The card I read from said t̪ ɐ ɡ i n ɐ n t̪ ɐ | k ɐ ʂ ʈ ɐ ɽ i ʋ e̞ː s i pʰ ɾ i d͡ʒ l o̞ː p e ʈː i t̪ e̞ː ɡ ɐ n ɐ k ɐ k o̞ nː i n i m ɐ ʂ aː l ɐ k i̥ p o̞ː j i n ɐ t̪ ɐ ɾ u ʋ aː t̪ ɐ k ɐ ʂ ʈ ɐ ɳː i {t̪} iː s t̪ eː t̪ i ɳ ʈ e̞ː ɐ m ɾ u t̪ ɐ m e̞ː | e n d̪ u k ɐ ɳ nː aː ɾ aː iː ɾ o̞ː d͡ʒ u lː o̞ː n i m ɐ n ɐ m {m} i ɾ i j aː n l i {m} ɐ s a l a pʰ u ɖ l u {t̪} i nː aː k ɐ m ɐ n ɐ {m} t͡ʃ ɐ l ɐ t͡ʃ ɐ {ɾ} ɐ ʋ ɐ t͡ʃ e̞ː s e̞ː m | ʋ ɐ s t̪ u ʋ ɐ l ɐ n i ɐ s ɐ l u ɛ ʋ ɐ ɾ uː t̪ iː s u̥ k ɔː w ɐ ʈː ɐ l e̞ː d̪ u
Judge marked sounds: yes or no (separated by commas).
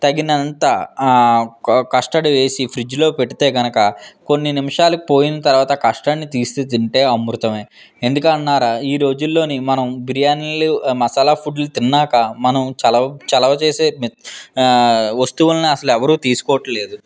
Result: yes, no, yes, yes, yes, no